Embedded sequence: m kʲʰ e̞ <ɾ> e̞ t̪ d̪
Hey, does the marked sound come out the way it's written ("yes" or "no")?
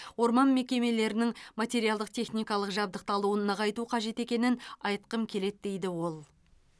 no